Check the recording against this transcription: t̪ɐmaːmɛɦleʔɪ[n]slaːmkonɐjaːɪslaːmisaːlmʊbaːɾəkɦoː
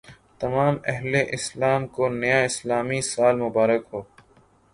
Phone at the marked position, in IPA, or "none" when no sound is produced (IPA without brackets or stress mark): none